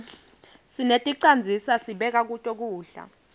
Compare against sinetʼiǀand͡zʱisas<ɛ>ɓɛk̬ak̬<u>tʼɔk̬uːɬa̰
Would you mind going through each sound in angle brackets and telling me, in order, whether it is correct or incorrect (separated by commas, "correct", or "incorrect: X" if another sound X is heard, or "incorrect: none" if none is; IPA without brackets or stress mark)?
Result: incorrect: i, correct